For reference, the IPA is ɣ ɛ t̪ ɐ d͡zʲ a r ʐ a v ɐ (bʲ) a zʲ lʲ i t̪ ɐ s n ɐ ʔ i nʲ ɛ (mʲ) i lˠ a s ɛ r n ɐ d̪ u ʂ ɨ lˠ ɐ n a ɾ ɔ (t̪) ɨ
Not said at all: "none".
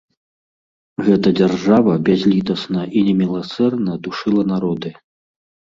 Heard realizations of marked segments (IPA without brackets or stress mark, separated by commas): bʲ, mʲ, d̪